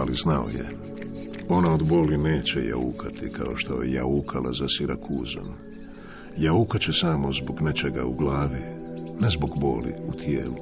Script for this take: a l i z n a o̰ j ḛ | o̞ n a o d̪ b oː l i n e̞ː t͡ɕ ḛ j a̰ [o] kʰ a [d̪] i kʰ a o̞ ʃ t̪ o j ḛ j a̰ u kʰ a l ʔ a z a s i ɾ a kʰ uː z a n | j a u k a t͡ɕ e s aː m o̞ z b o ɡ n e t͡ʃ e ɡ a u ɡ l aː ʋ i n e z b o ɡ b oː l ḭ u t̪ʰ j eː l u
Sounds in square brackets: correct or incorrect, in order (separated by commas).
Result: incorrect, incorrect